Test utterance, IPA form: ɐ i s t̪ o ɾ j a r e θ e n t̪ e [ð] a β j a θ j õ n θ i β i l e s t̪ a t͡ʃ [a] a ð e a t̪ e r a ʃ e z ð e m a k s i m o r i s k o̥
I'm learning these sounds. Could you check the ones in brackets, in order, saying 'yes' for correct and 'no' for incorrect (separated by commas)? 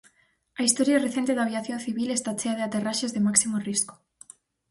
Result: yes, no